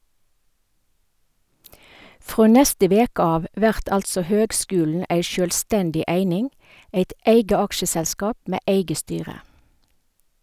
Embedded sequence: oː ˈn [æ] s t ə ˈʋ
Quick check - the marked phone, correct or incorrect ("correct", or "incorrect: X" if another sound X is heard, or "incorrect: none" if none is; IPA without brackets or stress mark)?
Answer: incorrect: ɛ